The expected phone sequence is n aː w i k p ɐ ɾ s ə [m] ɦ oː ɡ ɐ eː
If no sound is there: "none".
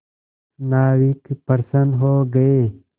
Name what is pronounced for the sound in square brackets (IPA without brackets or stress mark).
n